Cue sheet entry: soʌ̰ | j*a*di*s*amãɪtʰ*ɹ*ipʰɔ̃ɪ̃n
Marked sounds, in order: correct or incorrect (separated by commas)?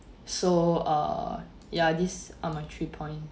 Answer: correct, correct, correct